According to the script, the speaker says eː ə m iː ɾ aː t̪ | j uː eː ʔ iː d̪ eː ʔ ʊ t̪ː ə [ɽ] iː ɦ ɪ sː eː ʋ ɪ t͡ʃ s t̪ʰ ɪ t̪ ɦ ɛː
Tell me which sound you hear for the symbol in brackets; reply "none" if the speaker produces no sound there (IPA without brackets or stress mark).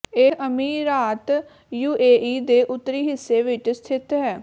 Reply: ɾ